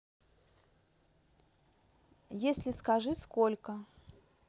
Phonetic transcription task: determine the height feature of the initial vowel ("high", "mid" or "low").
mid